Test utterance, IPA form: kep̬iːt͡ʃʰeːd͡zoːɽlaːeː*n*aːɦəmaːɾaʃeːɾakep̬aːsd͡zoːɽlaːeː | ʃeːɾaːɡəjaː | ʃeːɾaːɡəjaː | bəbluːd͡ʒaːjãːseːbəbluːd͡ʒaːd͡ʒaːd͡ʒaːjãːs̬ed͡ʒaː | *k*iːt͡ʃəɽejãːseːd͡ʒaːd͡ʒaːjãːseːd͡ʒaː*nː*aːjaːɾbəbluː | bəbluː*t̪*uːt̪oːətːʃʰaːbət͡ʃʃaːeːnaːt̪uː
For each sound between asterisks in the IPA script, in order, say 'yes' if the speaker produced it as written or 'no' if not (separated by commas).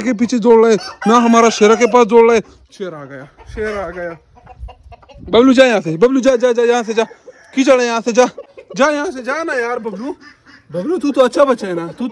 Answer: yes, yes, no, yes